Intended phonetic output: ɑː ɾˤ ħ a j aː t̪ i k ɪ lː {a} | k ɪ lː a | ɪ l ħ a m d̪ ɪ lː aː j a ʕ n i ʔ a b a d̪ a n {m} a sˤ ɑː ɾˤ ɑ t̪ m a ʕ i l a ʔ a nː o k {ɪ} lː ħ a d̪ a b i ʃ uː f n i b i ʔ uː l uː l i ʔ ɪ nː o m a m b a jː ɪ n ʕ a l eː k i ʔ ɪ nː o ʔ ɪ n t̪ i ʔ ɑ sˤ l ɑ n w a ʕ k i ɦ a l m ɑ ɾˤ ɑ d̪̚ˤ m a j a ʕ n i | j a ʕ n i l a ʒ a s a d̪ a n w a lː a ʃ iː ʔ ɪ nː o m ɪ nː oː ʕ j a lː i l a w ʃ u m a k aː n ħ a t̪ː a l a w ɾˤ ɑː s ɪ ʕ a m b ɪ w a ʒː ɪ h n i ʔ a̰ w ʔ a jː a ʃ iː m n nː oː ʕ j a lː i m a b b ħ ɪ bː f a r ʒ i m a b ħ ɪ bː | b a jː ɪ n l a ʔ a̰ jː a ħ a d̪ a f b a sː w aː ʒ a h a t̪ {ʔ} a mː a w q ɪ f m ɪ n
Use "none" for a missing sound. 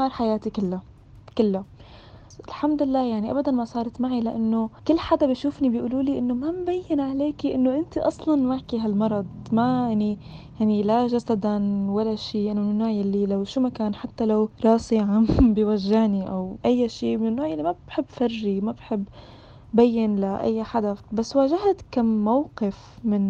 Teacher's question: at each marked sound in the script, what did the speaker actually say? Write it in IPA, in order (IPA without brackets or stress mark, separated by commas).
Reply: a, m, ɪ, k